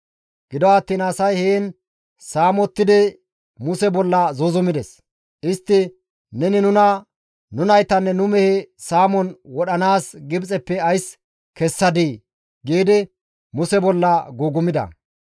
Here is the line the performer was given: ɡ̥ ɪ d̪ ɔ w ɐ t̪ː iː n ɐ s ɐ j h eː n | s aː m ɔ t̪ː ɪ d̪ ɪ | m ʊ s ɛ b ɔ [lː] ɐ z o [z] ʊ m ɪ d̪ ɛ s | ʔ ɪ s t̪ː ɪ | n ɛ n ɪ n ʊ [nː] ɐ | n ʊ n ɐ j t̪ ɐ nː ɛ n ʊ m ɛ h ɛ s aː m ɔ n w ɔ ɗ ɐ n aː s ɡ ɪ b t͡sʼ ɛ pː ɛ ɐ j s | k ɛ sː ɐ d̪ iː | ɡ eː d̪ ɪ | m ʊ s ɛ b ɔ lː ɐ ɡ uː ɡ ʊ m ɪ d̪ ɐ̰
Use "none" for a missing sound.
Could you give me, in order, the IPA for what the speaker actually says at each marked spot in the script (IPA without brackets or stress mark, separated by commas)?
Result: lː, z, n